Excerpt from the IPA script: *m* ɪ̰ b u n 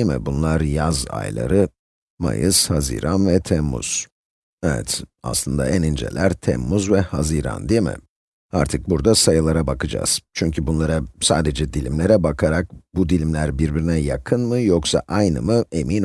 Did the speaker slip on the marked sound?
no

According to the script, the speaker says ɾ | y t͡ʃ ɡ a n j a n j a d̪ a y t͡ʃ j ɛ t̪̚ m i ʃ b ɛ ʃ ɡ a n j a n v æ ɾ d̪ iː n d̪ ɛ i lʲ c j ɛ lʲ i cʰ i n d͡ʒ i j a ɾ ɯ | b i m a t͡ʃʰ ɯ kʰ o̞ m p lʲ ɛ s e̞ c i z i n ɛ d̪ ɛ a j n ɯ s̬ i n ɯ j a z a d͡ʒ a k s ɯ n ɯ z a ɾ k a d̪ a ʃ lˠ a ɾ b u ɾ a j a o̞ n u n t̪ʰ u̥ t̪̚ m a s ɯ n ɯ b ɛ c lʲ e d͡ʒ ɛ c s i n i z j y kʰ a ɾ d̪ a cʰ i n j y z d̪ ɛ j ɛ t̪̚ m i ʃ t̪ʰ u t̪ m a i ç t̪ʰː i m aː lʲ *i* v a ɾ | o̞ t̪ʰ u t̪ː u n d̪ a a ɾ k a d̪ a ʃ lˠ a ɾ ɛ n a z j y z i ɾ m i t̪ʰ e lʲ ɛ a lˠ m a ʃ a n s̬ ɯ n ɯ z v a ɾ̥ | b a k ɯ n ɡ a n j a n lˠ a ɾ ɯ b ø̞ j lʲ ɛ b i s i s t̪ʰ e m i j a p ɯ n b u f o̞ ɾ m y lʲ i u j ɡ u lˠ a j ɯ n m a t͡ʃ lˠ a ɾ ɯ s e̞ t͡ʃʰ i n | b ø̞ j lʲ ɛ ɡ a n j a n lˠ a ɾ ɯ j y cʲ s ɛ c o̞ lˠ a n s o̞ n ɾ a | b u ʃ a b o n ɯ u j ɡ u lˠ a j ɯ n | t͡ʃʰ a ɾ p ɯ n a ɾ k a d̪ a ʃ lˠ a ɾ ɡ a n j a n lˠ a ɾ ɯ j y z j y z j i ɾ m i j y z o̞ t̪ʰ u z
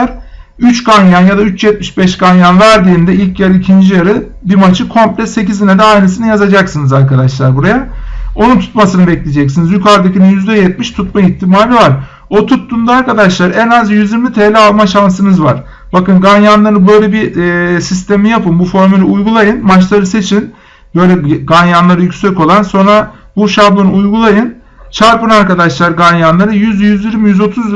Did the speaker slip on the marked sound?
no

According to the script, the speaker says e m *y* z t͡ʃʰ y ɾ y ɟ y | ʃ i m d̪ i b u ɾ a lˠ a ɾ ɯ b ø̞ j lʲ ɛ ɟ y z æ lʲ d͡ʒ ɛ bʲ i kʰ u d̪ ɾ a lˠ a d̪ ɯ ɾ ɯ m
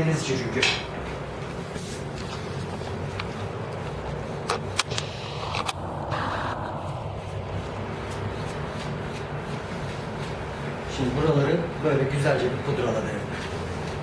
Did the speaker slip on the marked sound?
yes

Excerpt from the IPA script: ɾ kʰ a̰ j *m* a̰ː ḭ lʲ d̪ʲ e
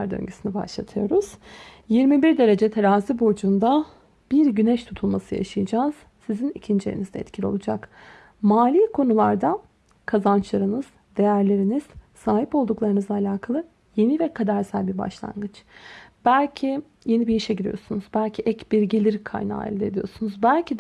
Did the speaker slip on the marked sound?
yes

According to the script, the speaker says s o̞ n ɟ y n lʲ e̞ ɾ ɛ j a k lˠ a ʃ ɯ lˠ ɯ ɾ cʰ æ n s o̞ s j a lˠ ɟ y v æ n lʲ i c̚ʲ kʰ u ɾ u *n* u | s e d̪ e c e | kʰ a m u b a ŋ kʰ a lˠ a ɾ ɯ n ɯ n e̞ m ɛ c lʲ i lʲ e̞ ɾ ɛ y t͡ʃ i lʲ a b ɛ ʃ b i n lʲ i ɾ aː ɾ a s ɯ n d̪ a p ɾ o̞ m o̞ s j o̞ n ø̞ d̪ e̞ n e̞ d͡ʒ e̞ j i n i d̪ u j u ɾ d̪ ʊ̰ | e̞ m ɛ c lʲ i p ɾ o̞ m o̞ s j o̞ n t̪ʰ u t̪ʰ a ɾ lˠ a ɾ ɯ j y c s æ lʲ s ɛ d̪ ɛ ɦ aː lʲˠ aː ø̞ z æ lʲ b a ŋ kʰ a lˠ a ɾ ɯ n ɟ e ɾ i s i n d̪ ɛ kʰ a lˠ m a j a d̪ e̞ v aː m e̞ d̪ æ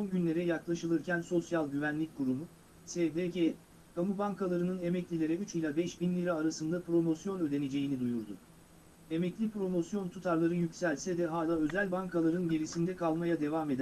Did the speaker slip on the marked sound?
yes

